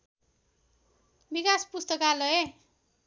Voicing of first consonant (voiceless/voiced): voiced